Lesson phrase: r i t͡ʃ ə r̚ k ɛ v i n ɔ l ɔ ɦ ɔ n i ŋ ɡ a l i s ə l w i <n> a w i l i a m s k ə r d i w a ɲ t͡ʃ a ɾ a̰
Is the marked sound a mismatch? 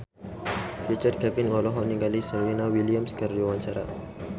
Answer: no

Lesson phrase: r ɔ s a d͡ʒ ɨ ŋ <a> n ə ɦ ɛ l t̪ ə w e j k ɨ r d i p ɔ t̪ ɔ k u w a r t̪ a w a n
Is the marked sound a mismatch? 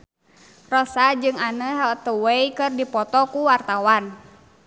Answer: no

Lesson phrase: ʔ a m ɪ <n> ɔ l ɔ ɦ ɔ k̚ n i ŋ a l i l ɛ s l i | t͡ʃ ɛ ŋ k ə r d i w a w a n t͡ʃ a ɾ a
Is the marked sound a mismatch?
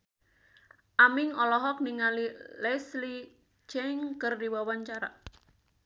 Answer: yes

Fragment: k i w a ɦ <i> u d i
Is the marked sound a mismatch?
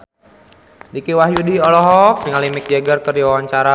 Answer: yes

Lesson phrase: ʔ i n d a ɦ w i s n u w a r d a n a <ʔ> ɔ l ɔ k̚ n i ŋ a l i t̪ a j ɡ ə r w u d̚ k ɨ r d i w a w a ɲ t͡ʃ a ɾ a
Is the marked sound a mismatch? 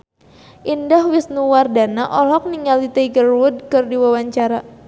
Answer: no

